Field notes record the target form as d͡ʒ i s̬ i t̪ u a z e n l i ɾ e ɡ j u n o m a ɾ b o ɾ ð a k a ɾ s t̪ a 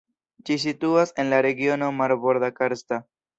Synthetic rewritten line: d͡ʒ i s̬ i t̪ u a s e n l a ɾ e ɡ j o n o m a ɾ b o ɾ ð a k a ɾ s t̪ a

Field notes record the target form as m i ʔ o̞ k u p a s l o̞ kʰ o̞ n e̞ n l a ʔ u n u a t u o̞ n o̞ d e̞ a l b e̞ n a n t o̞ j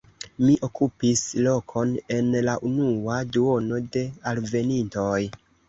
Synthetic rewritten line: m i ʔ o̞ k u p i s l o̞ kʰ o̞ n e̞ n l a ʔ u n u a d u o̞ n o̞ d e̞ a l v e̞ n i n t o̞ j

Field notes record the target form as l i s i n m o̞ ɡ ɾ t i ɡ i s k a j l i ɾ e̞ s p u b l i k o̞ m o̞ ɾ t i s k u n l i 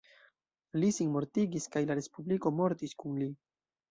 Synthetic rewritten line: l i s i n m o̞ ɾ t i ɡ i s k a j l a ɾ e̞ s p u b l i k o̞ m o̞ ɾ t i s k u n l i

